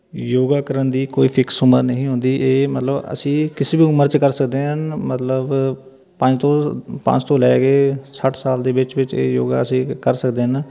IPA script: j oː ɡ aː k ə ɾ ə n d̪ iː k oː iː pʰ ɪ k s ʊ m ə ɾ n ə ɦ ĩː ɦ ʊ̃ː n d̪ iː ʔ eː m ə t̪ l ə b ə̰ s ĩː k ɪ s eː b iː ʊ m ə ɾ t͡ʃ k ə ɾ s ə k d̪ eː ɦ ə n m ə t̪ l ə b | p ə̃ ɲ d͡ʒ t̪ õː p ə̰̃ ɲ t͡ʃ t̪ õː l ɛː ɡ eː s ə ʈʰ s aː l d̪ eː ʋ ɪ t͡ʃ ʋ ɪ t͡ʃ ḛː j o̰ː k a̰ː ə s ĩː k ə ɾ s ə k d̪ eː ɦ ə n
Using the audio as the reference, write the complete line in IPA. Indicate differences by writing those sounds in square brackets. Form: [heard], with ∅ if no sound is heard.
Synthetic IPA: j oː ɡ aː k ə ɾ ə n d̪ iː k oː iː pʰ ɪ k s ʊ m ə ɾ n ə ɦ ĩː ɦ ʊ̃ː n d̪ iː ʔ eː m ə t̪ l ə b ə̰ s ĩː k ɪ s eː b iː ʊ m ə ɾ t͡ʃ k ə ɾ s ə k d̪ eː ɦ ə n m ə t̪ l ə b | p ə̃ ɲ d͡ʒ t̪ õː p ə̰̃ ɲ t͡ʃ t̪ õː l ɛː ɡ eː s ə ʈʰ s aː l d̪ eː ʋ ɪ t͡ʃ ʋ ɪ t͡ʃ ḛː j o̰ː [ɡ] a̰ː ə s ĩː k ə ɾ s ə k d̪ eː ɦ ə n